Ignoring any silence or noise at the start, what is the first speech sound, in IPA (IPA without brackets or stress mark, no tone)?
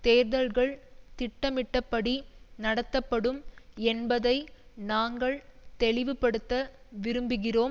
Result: t̪